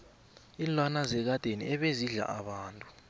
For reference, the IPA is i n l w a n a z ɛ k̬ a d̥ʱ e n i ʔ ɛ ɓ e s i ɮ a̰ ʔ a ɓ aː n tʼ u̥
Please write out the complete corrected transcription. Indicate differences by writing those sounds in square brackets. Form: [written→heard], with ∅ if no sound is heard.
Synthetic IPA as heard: i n l w a n a z ɛ k̬ a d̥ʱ e n i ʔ ɛ ɓ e [s→z] i ɮ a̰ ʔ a ɓ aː n tʼ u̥

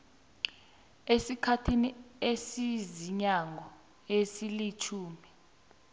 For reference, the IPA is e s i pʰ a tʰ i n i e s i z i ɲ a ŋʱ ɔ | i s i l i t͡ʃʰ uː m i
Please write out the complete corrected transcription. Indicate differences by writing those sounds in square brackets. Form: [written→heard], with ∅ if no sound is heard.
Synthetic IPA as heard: e s i [pʰ→kʰ] a tʰ i n i e s i z i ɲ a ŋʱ ɔ | [i→e] s i l i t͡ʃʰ uː m i

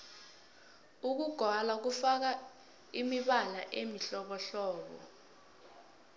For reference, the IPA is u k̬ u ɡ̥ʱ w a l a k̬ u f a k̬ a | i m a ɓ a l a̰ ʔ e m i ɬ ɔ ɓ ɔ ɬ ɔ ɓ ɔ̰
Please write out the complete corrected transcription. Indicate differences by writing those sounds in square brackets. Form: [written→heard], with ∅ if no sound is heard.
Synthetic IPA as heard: u k̬ u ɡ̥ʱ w a l a k̬ u f a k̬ a | i m [a→i] ɓ a l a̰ ʔ e m i ɬ ɔ ɓ ɔ ɬ [ɔ→ɔː] ɓ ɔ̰

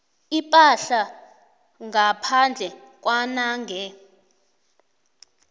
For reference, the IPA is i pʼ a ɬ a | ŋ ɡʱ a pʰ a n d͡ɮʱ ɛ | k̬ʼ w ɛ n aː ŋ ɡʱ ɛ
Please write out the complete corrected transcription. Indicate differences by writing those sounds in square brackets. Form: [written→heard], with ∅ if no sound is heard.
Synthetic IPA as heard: i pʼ a ɬ a | ŋ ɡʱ a pʰ a n d͡ɮʱ ɛ | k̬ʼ w [ɛ→a] n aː ŋ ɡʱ ɛ

